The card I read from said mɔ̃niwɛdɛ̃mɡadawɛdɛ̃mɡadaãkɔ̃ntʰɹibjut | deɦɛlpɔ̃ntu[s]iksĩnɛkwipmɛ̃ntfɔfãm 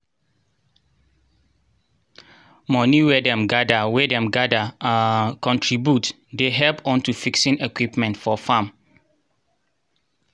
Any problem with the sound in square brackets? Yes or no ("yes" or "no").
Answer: yes